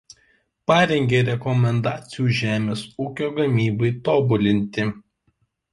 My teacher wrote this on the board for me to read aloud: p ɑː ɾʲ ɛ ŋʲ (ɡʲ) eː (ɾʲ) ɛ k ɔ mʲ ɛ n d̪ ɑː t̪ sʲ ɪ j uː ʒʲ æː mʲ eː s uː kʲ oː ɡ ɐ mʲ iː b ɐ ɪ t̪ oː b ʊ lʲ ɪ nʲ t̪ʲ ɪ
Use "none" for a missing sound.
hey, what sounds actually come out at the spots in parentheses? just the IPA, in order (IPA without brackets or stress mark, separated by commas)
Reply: ɡʲ, ɾʲ